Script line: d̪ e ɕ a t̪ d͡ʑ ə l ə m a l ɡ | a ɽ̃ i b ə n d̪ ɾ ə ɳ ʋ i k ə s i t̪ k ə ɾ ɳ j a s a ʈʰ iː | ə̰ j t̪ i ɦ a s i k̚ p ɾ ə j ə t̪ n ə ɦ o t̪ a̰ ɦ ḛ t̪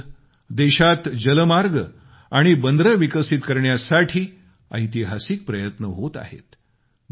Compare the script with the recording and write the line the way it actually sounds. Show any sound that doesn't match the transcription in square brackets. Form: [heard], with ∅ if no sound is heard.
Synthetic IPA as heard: d̪ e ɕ a t̪ d͡ʑ ə l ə m a [ɾ] ɡ | a ɽ̃ i b ə n d̪ ɾ ə [∅] ʋ i k ə s i t̪ k ə ɾ ɳ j a s a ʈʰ iː | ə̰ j t̪ i ɦ a s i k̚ p ɾ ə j ə t̪ n ə ɦ o t̪ a̰ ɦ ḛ t̪